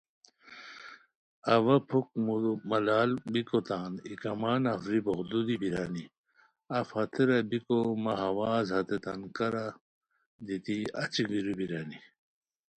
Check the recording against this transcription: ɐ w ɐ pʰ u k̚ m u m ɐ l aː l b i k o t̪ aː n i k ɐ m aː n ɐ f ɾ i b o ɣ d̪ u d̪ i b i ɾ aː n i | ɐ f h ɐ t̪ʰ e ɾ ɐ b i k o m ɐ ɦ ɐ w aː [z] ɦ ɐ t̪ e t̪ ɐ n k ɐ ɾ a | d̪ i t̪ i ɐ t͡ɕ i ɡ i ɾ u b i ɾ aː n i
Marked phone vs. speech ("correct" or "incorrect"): correct